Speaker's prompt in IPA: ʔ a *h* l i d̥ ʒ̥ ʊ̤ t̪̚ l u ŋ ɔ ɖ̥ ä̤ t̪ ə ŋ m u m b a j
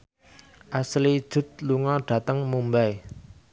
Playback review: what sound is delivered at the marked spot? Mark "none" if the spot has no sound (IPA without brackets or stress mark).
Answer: s